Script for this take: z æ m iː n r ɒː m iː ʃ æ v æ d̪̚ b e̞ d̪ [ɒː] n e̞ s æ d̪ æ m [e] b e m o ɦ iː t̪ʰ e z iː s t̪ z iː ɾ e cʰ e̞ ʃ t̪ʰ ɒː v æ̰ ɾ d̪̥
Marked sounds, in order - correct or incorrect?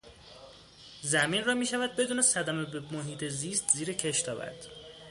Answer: incorrect: uː, correct

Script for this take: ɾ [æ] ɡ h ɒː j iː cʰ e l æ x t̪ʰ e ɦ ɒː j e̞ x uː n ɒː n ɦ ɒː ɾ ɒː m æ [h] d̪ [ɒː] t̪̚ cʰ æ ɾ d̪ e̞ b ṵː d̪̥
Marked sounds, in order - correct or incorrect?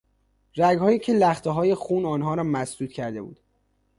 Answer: correct, incorrect: s, incorrect: uː

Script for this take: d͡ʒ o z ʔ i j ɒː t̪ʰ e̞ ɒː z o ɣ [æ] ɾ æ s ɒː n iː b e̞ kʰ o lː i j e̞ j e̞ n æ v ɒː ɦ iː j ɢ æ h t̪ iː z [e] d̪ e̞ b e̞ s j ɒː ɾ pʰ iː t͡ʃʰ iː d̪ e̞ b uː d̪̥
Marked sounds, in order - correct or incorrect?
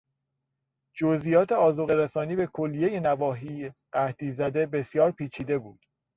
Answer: incorrect: e, incorrect: æ

